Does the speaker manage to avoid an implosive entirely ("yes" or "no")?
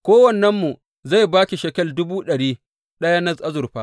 no